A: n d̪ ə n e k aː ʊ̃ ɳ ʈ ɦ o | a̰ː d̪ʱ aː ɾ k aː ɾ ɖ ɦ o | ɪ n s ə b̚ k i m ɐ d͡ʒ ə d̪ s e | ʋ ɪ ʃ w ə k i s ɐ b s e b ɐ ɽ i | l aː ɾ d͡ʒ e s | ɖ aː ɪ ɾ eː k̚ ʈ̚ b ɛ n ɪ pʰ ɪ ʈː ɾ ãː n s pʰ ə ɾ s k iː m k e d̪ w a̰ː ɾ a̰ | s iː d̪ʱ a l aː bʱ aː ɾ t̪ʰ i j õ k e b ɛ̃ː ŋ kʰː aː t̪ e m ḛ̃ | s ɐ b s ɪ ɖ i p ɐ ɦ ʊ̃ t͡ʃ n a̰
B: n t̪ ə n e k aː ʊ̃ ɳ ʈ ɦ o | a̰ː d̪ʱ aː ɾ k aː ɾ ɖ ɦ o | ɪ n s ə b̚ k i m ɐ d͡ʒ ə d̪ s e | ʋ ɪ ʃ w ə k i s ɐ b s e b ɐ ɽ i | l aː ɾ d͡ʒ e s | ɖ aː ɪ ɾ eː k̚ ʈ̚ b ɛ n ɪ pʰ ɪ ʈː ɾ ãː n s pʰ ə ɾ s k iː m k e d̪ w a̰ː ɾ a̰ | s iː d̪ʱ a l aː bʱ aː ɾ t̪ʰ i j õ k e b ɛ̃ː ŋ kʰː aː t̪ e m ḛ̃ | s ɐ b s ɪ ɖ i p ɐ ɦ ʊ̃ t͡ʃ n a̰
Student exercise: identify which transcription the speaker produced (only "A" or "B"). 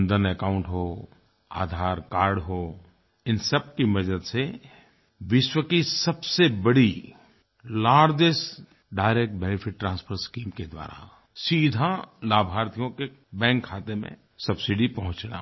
A